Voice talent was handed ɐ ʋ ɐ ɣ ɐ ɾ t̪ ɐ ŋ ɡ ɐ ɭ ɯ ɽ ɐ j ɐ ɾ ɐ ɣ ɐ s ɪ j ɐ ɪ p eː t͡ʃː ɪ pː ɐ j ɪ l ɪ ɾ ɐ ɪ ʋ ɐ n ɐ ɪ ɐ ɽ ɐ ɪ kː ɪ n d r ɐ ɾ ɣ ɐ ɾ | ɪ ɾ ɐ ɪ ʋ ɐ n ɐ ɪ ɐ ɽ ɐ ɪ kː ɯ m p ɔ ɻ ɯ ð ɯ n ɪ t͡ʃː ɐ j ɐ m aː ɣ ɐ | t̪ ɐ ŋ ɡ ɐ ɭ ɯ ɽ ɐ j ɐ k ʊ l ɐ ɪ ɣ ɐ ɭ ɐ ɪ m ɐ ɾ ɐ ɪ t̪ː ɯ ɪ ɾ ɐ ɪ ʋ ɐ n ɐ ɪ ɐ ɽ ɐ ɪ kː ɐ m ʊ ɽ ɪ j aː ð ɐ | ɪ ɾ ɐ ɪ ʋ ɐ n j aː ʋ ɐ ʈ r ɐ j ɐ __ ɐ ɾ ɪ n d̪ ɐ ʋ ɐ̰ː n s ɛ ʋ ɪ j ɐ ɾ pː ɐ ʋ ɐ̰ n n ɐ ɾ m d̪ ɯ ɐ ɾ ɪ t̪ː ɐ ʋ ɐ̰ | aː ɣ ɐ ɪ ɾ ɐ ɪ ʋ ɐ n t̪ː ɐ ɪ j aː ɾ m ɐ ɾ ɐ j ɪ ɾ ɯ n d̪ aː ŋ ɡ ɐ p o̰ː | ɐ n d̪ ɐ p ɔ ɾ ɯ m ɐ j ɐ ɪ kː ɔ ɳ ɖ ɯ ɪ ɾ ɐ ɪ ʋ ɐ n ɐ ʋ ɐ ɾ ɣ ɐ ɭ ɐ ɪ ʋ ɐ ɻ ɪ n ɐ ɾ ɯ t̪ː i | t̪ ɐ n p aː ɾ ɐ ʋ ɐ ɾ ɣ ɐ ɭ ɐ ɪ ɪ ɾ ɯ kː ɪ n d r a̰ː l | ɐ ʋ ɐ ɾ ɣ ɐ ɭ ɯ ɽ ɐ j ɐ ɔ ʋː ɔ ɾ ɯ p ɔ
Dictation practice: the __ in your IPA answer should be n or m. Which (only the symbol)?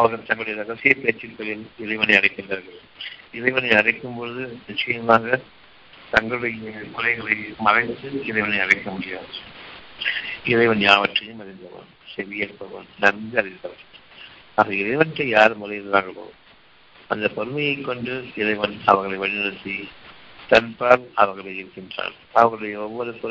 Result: m